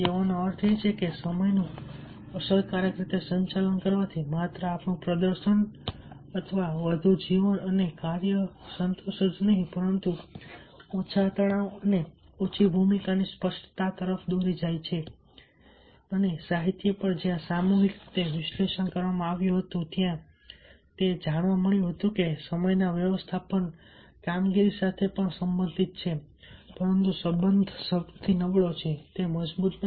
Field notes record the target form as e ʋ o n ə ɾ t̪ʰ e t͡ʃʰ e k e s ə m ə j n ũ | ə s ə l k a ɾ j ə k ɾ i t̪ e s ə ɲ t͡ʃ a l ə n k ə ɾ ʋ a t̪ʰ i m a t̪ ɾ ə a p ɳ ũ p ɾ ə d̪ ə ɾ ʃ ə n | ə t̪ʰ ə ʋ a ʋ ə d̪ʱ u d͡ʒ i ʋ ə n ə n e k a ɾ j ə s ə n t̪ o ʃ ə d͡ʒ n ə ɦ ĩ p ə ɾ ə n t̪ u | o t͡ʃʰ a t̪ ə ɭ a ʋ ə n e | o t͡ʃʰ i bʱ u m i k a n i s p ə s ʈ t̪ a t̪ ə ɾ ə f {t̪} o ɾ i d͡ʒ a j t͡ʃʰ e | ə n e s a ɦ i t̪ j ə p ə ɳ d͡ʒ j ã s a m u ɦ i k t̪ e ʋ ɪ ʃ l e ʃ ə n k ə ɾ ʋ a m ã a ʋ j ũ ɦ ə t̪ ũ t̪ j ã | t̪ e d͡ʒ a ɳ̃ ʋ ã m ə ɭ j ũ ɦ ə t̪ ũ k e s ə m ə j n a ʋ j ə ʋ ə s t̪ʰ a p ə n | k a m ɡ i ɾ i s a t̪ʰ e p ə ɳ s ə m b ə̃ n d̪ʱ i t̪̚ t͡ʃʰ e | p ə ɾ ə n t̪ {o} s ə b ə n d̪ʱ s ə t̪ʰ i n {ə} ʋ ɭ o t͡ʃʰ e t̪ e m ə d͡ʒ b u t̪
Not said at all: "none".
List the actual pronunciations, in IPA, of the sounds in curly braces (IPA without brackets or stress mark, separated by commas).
d̪, u, ə